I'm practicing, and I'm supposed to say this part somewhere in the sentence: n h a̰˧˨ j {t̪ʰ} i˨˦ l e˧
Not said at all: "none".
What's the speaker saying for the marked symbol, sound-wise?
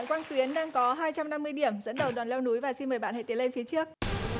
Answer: t̪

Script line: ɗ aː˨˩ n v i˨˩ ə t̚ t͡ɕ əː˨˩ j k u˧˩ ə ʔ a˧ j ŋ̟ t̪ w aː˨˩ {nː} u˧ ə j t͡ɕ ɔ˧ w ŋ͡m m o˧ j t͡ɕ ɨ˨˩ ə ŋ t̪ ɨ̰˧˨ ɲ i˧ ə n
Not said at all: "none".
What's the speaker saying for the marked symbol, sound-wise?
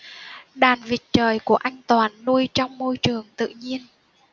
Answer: nː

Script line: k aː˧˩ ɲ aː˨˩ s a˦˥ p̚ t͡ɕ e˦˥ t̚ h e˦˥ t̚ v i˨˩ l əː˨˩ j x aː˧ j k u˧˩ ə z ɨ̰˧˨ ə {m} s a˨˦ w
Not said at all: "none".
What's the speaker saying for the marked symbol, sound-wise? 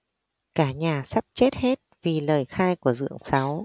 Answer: ŋ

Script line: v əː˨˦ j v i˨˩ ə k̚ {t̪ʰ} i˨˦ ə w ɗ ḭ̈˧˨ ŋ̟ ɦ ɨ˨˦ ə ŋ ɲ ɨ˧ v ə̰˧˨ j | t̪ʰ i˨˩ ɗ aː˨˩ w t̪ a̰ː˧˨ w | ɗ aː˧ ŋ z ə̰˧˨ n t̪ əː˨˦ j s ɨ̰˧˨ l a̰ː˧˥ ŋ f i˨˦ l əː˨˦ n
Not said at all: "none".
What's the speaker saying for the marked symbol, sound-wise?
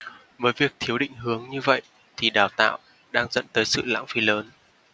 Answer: t̪ʰ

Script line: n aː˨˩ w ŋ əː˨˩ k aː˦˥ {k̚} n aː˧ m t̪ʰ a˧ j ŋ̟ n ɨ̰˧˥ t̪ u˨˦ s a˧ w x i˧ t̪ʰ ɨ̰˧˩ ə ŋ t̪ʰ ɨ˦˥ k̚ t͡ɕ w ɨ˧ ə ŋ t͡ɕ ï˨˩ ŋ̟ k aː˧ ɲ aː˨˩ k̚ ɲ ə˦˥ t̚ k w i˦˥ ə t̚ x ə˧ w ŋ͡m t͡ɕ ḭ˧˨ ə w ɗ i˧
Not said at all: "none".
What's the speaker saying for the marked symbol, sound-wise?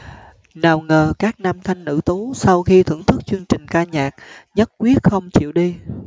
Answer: k̚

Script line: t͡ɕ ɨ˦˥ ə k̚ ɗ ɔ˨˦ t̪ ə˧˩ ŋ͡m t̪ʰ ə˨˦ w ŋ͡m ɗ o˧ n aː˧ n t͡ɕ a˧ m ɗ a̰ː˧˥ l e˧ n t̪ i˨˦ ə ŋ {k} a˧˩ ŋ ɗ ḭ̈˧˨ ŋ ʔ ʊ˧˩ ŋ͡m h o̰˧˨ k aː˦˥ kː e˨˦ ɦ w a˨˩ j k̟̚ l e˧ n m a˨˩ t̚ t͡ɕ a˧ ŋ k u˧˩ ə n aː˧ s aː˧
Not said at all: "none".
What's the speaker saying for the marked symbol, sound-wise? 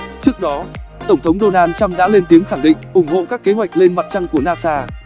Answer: x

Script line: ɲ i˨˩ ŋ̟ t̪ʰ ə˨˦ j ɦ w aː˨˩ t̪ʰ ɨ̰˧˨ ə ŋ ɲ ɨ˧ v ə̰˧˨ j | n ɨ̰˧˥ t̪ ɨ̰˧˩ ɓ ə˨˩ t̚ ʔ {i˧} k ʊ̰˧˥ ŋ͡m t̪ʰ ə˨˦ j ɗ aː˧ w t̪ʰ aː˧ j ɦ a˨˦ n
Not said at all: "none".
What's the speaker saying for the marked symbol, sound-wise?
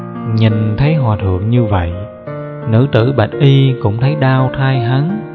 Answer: i˧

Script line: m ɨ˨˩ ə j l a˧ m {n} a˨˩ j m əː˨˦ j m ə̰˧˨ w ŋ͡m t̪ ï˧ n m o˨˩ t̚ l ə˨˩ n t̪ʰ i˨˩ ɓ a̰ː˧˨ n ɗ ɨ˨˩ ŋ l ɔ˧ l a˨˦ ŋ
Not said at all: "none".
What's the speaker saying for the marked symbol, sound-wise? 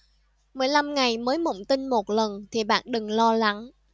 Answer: ŋ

